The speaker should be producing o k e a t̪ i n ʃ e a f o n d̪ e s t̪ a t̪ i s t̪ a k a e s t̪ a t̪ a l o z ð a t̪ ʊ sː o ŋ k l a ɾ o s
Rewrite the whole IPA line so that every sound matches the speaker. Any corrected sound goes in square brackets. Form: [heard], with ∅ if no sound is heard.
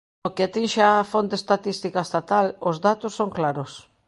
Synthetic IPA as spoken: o k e a t̪ i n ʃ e a f o n [t̪] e s t̪ a t̪ i s t̪ [i] k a e s t̪ a t̪ a l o z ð a t̪ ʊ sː o ŋ k l a ɾ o s